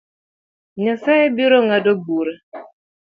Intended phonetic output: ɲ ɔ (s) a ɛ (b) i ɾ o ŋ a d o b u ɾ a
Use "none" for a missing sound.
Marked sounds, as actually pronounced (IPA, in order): s, b

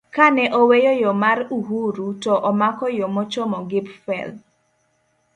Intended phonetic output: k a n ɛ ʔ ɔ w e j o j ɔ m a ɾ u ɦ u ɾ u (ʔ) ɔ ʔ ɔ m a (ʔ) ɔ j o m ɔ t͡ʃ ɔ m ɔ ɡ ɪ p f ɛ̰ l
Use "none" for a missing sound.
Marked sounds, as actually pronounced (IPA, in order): t, k

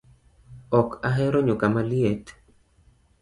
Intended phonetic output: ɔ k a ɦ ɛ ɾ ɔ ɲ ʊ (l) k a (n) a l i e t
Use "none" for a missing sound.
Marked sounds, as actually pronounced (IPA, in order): none, m

